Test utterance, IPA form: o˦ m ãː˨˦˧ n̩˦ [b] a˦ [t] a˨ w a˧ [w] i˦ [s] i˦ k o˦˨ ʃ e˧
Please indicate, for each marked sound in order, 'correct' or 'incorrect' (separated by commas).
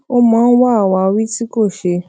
incorrect, incorrect, correct, incorrect